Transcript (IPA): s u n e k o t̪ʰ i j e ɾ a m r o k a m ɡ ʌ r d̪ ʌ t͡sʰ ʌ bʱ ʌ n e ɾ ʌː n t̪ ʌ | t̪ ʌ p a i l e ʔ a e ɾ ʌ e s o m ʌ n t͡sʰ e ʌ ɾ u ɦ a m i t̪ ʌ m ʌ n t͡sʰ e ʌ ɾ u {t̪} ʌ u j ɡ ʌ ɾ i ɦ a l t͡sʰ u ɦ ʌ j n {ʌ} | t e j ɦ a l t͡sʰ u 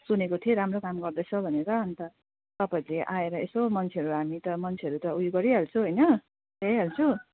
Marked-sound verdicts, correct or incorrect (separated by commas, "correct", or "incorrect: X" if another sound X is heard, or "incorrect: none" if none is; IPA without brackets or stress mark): correct, correct